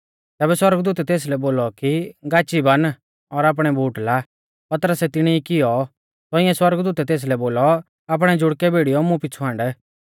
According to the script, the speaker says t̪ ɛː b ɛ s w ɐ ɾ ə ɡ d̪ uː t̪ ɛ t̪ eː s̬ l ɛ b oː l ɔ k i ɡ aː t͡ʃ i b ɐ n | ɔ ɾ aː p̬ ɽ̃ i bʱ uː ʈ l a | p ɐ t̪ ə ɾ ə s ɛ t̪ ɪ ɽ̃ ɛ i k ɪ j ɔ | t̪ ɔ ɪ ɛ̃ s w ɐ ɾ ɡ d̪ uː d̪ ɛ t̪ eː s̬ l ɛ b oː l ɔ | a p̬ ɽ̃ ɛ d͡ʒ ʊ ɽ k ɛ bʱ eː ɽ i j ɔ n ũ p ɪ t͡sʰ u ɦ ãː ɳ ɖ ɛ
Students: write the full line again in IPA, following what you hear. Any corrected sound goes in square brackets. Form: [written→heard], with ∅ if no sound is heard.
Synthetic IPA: t̪ ɛː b ɛ s w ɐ ɾ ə ɡ d̪ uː t̪ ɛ t̪ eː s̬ l ɛ b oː l ɔ k i ɡ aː t͡ʃ i b ɐ n | ɔ ɾ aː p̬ ɽ̃ [i→ɛ] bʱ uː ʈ l a | p ɐ t̪ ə ɾ ə s ɛ t̪ ɪ ɽ̃ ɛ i k ɪ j ɔ | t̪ ɔ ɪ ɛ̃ s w ɐ ɾ ɡ d̪ uː [d̪→t̪] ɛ t̪ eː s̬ l ɛ b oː l ɔ | a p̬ ɽ̃ ɛ d͡ʒ ʊ ɽ k ɛ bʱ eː ɽ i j ɔ [n→m] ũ p ɪ t͡sʰ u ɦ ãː ɳ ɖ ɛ